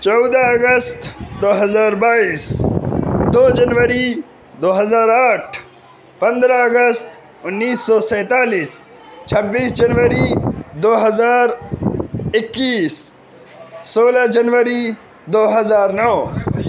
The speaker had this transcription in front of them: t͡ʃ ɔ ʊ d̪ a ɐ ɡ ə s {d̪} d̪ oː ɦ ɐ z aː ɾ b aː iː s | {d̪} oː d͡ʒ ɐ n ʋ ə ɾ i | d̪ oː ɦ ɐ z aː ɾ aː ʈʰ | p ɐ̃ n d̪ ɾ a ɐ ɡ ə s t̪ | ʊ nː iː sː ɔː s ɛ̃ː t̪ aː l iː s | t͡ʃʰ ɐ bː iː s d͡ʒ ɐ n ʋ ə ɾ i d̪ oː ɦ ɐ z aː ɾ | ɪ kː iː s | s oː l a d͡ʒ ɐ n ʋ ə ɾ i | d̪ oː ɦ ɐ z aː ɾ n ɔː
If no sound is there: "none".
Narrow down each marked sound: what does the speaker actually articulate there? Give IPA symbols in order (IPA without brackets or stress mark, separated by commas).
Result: t̪, d̪